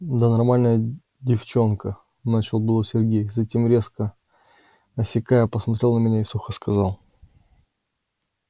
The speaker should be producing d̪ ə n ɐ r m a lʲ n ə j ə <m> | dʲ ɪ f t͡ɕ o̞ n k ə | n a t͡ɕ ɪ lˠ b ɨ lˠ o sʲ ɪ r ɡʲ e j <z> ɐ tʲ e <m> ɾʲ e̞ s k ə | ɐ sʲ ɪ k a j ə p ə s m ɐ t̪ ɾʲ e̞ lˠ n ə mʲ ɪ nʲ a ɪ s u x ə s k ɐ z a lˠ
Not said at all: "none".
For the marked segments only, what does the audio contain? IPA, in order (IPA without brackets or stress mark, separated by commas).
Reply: none, z, m